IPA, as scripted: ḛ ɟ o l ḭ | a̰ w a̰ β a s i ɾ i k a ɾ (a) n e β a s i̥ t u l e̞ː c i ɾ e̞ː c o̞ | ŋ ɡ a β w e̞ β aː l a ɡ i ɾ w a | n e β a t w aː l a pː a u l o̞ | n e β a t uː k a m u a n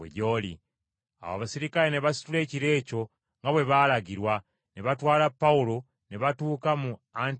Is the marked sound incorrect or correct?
incorrect